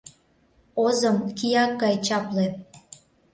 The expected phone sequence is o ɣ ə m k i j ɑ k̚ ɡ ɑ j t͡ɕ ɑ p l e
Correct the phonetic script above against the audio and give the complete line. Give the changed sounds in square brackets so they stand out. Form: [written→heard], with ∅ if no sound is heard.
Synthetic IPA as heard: o [ɣ→z] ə m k i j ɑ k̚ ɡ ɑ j t͡ɕ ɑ p l e